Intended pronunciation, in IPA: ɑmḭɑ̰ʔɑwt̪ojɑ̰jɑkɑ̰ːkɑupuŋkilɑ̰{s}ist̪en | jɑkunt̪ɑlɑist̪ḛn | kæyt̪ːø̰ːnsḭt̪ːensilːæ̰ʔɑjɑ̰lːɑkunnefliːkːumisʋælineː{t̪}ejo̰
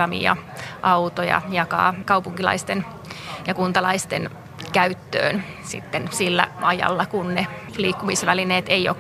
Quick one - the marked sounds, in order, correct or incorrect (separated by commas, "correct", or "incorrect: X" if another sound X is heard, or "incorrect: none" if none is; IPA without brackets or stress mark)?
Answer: incorrect: none, correct